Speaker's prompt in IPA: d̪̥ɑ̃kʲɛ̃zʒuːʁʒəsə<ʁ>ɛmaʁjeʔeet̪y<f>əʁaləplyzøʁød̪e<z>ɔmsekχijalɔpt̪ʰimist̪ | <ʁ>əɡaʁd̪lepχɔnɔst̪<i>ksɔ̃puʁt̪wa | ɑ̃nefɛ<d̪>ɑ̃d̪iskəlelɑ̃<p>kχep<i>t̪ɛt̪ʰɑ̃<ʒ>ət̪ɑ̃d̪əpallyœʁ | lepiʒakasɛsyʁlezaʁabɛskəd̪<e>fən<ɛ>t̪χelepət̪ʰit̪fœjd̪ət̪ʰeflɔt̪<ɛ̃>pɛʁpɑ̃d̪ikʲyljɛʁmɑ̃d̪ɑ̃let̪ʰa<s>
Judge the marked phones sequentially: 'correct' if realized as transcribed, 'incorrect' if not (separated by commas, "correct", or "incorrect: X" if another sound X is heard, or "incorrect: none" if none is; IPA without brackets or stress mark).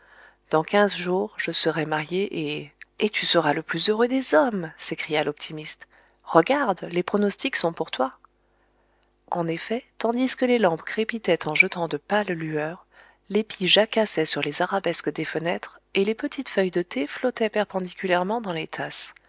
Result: correct, incorrect: s, correct, correct, correct, incorrect: t̪, correct, correct, correct, correct, correct, incorrect: ɛ, correct